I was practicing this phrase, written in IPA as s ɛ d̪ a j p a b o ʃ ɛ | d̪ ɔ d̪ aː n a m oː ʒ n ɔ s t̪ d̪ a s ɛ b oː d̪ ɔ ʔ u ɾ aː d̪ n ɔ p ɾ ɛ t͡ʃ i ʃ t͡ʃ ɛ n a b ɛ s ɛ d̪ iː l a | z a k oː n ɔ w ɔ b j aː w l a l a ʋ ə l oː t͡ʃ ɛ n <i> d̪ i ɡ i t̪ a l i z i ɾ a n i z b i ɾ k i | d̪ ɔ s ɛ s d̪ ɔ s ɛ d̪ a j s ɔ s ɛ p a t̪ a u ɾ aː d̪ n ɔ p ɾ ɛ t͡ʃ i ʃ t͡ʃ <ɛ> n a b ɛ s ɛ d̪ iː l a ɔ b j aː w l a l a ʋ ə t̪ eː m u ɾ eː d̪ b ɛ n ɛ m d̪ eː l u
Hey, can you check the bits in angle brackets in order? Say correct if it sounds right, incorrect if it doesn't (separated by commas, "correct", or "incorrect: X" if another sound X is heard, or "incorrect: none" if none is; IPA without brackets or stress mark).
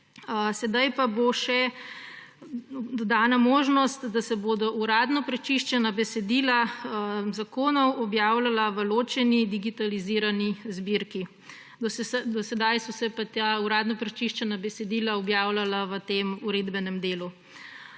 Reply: correct, correct